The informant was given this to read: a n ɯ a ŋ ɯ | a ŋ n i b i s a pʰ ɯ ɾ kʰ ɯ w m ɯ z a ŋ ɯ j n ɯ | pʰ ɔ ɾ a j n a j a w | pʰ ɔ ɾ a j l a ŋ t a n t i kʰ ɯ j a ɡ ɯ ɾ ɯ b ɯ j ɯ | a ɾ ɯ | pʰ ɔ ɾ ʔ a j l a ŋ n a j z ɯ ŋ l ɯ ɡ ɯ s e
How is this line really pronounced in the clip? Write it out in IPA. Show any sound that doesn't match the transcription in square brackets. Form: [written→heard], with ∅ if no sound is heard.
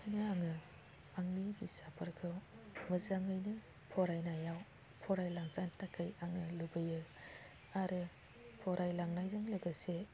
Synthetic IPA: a n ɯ a ŋ ɯ | a ŋ n i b i s a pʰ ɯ ɾ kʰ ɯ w m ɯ z a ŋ ɯ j n ɯ | pʰ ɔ ɾ a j n a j a w | pʰ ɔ ɾ a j l a ŋ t a n t [i→a] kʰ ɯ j a [ɡ→ŋ] ɯ [ɾ→l] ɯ b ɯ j ɯ | a ɾ ɯ | pʰ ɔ ɾ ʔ a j l a ŋ n a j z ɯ ŋ l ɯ ɡ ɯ s e